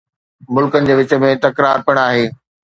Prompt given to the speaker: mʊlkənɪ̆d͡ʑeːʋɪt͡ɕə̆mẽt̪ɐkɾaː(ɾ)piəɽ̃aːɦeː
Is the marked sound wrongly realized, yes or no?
no